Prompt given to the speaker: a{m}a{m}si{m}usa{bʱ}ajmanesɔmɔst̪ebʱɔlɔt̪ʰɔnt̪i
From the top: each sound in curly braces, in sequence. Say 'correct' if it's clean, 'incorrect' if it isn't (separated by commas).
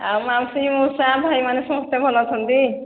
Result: correct, correct, correct, correct